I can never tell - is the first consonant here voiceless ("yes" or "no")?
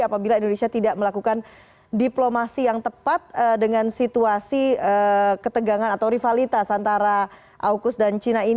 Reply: yes